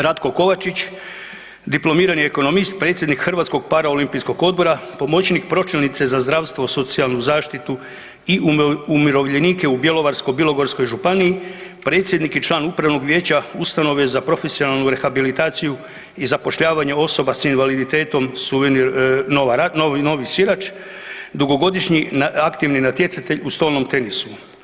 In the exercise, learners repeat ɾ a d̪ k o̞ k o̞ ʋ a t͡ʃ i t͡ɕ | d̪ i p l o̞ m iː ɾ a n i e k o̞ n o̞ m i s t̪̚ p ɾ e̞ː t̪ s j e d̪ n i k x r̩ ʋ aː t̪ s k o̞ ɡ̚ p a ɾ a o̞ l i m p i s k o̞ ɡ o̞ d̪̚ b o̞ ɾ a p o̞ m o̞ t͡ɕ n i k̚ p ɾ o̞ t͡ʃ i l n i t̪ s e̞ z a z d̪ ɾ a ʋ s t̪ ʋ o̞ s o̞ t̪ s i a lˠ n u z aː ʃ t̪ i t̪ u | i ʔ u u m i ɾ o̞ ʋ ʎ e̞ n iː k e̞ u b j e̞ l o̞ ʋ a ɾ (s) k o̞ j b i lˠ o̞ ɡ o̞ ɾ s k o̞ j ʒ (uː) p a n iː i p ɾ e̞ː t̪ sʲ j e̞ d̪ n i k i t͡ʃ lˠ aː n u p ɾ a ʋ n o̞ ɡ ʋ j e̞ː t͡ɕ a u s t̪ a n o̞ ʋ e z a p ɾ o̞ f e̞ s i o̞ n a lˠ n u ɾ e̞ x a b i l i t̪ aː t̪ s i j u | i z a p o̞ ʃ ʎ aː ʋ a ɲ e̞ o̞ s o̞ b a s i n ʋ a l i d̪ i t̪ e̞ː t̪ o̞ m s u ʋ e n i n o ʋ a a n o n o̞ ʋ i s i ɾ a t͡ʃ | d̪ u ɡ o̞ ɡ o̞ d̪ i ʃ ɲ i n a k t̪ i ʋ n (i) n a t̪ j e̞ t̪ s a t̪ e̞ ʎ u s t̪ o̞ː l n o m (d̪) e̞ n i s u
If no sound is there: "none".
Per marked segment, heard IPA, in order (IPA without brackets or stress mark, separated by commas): s, u, i, t̪